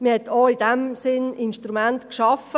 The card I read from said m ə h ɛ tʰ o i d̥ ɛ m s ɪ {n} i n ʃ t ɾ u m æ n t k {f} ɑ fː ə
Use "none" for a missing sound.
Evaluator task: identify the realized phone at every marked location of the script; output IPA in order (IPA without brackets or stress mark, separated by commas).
n, ʃ